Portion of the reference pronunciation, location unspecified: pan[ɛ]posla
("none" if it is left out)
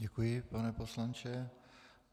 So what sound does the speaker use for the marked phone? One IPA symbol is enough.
ɛ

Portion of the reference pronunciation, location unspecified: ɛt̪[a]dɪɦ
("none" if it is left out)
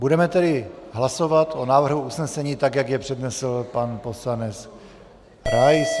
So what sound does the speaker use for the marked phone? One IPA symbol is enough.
ɛ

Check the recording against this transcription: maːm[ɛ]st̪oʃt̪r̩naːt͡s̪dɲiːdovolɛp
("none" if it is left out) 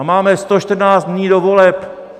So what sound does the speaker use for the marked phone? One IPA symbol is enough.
ɛ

